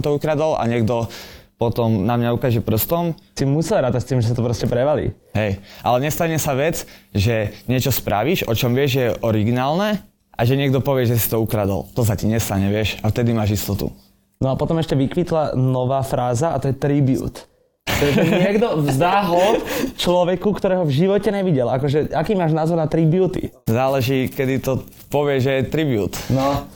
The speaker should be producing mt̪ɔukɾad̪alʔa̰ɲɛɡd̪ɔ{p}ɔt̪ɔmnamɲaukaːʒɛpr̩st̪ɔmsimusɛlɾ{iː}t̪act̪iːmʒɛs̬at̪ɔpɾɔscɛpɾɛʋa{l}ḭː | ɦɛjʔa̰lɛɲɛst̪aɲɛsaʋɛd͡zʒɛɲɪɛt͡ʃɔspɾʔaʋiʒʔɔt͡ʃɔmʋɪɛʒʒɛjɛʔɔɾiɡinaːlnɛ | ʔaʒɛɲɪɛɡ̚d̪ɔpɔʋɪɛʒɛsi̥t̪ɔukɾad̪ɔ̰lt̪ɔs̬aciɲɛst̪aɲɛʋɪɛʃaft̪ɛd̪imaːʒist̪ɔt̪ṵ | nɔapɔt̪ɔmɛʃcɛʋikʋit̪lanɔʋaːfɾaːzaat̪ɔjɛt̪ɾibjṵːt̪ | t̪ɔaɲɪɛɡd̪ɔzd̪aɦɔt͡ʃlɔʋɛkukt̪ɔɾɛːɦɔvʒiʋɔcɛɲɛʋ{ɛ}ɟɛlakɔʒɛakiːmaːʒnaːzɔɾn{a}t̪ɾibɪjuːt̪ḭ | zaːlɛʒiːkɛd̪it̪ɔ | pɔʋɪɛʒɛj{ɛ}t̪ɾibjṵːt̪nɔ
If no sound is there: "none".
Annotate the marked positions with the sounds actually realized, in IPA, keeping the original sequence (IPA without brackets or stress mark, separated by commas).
p, aː, l, i, a, ɛ